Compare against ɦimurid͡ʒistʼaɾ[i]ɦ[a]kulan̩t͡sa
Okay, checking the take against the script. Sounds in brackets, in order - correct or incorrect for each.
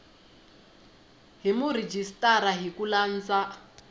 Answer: incorrect: a, incorrect: i

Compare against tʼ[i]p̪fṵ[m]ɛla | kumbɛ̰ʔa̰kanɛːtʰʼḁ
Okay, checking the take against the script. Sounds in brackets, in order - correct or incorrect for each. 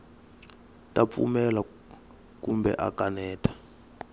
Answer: incorrect: a, correct

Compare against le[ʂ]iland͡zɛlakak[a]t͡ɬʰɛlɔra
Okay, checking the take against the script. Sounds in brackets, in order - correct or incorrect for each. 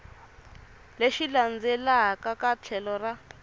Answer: incorrect: ʃ, correct

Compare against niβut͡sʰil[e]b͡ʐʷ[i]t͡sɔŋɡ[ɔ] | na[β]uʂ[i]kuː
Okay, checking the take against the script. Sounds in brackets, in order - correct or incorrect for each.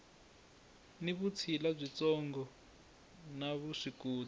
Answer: incorrect: a, correct, correct, correct, correct

